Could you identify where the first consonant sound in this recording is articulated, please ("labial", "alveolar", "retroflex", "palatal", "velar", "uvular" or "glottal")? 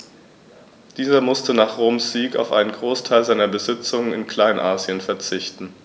alveolar